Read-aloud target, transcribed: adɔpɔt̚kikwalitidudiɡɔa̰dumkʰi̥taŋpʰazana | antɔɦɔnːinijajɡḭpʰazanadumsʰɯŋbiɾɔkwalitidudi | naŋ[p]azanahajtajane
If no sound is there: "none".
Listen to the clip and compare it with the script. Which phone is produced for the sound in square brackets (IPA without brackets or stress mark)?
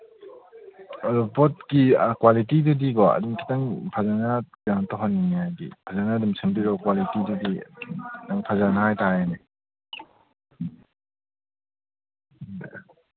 pʰ